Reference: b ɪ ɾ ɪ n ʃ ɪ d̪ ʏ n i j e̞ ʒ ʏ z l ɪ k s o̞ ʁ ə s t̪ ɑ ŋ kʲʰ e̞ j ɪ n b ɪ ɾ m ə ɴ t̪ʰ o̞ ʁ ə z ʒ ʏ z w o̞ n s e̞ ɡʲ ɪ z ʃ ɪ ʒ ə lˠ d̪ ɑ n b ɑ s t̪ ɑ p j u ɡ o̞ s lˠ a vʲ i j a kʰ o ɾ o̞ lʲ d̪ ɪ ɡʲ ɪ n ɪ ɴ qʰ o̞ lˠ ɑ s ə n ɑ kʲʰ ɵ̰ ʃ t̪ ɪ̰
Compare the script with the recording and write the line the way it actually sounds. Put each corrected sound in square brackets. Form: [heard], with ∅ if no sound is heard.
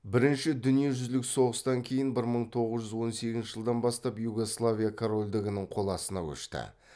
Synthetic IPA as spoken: b ɪ ɾ ɪ n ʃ ɪ d̪ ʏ n i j e̞ ʒ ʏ z l ɪ k s o̞ ʁ ə s t̪ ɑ ŋ kʲʰ e̞ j ɪ n b ɪ ɾ m ə ɴ t̪ʰ o̞ ʁ ə z ʒ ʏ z w o̞ n s e̞ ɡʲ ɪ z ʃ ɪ ʒ ə lˠ d̪ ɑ n b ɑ s t̪ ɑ p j u ɡ o̞ s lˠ a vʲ i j a kʰ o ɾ o̞ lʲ d̪ ɪ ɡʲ ɪ n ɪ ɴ qʰ o̞ lˠ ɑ s ə n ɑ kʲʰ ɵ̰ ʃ t̪ ɪ̰